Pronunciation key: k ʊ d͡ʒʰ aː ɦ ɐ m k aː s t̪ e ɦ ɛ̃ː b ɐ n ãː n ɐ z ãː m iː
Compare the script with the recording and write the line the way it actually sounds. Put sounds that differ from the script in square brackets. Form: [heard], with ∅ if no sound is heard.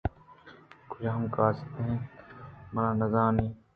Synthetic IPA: k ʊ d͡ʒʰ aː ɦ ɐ m k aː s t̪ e ɦ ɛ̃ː [m] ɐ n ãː n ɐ z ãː [n] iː